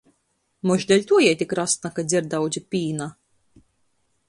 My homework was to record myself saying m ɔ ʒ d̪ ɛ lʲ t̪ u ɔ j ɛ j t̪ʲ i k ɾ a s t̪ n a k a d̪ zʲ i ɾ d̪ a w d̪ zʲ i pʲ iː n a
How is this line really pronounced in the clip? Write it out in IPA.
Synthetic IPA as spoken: m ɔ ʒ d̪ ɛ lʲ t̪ u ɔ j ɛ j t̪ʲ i k ɾ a s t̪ n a k a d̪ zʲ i ɾ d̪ a w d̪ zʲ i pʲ iː n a